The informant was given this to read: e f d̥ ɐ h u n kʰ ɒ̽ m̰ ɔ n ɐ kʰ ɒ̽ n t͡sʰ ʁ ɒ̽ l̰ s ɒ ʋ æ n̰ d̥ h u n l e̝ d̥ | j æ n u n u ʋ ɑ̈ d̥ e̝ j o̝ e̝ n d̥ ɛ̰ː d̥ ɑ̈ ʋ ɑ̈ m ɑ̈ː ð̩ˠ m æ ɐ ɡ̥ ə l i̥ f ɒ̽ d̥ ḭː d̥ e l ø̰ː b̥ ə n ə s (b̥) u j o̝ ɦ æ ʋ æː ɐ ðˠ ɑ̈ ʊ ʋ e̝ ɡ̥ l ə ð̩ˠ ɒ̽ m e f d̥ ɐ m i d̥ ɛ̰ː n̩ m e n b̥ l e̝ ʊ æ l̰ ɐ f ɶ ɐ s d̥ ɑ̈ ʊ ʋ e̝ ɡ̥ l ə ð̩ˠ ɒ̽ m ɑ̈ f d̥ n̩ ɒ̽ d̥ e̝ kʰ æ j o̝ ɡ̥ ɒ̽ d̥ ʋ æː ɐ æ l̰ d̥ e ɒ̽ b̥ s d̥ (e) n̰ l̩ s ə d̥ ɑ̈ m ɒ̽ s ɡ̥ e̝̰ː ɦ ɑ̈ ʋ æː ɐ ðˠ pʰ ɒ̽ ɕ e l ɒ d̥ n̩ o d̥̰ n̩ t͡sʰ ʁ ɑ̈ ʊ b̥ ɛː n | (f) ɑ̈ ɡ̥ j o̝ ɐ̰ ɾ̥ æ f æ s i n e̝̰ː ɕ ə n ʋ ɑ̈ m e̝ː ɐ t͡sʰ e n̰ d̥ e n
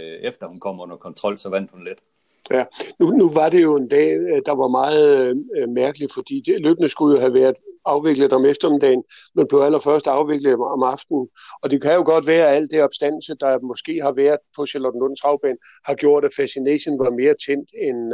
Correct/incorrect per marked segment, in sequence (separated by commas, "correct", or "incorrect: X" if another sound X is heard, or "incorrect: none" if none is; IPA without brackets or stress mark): incorrect: ɡ̥, incorrect: æ, incorrect: h